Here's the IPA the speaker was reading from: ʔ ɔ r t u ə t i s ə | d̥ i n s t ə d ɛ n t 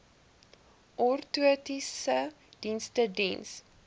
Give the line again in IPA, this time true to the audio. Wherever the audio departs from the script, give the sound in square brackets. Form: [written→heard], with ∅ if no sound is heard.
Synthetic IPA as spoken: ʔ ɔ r t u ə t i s ə | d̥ i n s t ə d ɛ n [t→s]